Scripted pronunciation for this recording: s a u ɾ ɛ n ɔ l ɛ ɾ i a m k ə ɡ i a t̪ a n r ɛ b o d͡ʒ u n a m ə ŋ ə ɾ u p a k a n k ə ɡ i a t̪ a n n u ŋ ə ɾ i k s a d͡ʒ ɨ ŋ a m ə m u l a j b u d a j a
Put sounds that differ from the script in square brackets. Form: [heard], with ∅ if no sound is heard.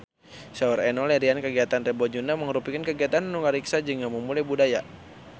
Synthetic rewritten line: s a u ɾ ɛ n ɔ l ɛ ɾ i a [n] k ə ɡ i a t̪ a n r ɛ b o d͡ʒ u n a m ə ŋ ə ɾ u p [i] k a n k ə ɡ i a t̪ a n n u ŋ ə ɾ i k s a d͡ʒ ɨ ŋ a m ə m u l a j b u d a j a